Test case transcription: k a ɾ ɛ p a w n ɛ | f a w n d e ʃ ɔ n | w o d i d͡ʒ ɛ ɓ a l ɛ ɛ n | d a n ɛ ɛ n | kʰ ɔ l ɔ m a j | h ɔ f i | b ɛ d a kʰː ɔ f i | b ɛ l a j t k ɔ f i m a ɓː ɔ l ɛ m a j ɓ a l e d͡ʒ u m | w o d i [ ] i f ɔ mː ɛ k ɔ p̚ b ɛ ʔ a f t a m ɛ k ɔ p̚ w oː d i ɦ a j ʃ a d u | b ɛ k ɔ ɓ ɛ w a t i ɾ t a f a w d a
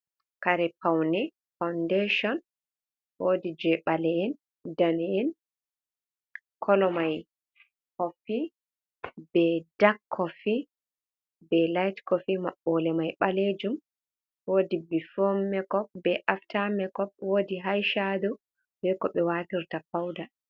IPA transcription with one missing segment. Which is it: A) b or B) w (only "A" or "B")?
A